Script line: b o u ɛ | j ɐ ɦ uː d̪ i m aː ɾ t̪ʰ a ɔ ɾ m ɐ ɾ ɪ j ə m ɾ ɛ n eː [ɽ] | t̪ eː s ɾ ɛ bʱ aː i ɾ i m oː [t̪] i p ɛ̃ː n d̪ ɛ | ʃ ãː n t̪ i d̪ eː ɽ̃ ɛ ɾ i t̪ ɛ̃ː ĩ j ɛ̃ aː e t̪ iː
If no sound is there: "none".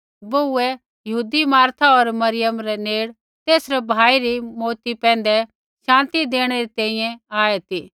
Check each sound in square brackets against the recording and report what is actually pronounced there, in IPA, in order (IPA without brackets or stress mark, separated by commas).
ɽ, t̪